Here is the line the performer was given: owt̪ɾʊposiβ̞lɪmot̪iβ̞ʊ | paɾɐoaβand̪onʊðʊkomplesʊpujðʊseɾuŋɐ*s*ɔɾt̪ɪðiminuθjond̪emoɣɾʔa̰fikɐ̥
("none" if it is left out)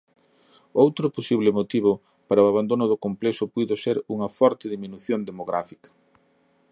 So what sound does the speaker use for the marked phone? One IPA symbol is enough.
f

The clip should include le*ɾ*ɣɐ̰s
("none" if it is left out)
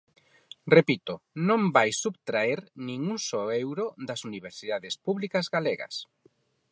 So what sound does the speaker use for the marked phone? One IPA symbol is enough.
none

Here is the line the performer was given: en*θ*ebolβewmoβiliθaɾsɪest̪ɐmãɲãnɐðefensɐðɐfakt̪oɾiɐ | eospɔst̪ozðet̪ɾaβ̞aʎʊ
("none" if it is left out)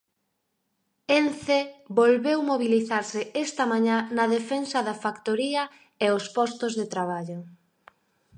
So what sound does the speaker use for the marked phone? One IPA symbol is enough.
θ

